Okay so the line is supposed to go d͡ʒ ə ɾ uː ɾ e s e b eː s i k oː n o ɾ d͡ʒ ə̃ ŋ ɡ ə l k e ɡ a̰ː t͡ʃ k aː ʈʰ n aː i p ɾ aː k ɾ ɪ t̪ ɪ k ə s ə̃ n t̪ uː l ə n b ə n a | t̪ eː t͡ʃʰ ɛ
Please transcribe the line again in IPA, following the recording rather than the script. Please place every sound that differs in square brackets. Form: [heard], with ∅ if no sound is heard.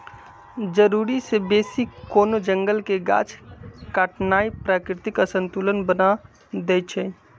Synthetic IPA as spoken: d͡ʒ ə ɾ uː ɾ [i] s e b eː s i k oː n o [∅] d͡ʒ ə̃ ŋ ɡ ə l k e ɡ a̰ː t͡ʃ k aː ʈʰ n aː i p ɾ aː k ɾ ɪ t̪ ɪ k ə s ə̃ n t̪ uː l ə n b ə n a | [d̪] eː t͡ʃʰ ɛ